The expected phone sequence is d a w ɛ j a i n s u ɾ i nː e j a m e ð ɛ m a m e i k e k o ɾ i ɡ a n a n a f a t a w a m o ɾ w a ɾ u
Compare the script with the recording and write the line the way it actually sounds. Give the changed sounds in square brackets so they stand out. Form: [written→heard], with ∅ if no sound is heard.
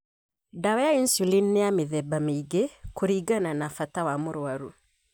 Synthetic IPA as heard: d a w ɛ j a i n s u [ɾ→l] i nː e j a m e ð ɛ [m→b] a m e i [k→ɡ] e k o ɾ i ɡ a n a n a f a t a w a m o ɾ w a ɾ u

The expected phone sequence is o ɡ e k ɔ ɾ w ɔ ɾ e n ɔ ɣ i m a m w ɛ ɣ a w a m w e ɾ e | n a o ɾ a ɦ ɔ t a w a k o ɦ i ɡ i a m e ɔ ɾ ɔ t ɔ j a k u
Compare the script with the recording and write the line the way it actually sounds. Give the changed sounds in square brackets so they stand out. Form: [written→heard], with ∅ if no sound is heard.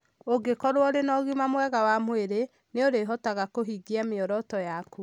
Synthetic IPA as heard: o ɡ e k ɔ ɾ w ɔ ɾ e n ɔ ɣ i m a m w ɛ ɣ a w a m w e ɾ e | n [a→e] o ɾ [a→e] ɦ ɔ t a [w→ɣ] a k o ɦ i ɡ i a m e ɔ ɾ ɔ t ɔ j a k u

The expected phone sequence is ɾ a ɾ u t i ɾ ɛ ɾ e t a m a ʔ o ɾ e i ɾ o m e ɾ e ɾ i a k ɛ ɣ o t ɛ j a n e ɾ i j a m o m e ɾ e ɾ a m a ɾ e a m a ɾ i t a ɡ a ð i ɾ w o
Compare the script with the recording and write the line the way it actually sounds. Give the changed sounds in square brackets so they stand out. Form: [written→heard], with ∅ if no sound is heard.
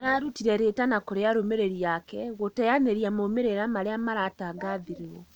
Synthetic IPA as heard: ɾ a ɾ u t i ɾ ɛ ɾ e t a [m→n] a [ʔ→k] o ɾ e [i→a] ɾ o m e ɾ e ɾ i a k ɛ ɣ o t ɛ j a n e ɾ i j a m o m e ɾ e ɾ a m a ɾ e a m a ɾ [i→a] t a ɡ a ð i ɾ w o

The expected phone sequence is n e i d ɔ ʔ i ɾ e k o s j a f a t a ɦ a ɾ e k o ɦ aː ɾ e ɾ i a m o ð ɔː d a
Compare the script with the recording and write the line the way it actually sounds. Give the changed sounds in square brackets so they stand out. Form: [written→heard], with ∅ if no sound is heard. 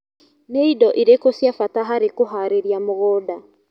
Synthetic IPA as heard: n e i d ɔ ʔ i ɾ e k o s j a f a t a ɦ a ɾ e k o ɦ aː ɾ e ɾ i a m o [ð→ɣ] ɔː d a

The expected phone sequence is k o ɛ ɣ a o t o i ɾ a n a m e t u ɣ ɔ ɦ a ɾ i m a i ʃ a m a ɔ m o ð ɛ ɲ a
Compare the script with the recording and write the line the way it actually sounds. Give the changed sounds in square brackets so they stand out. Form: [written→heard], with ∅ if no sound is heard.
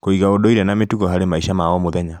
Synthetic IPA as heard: k o [ɛ→i] ɣ a o [t→d] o i ɾ [a→ɛ] n a m e t u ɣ ɔ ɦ a ɾ [i→e] m a i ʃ a m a ɔ m o ð ɛ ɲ a

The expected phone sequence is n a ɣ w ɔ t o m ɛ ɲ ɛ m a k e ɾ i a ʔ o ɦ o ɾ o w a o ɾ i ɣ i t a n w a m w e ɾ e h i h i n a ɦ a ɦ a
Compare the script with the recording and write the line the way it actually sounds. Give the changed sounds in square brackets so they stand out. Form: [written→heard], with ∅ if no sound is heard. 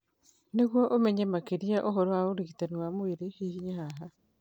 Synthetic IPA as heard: n [a→e] ɣ w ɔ [t→ʔ] o m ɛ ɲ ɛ m a k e ɾ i a ʔ o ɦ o ɾ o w a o ɾ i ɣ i t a n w a m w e ɾ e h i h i [n→ɲ] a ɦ a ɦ a

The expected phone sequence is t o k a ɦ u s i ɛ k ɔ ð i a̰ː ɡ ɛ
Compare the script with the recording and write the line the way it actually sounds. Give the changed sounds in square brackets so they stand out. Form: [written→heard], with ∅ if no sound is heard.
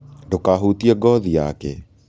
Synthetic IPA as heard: [t→d] o k a ɦ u [s→t] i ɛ [k→ɡ] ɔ ð i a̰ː [ɡ→k] ɛ

